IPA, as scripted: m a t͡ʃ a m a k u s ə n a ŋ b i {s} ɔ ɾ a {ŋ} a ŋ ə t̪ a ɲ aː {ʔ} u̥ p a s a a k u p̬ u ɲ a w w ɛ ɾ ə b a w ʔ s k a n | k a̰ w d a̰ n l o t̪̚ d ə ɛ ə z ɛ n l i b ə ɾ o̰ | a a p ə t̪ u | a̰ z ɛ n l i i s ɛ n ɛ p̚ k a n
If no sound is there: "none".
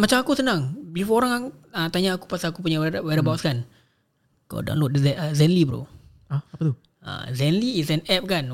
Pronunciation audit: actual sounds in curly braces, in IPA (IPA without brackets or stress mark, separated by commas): f, ŋ, k